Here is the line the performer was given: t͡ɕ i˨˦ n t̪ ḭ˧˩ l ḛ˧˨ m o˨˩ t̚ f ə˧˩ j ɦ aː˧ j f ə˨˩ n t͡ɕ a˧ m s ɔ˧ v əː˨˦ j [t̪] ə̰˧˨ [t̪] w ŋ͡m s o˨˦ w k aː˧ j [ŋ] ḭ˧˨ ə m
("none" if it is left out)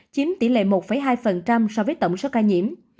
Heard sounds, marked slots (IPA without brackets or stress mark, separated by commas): t̪, none, ɲ